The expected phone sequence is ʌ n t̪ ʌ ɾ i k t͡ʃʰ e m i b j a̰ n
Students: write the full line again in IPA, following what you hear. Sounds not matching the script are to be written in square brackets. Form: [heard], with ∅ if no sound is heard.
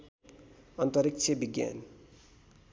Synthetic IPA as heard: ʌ n t̪ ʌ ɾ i k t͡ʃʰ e [b] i [ɡ] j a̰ n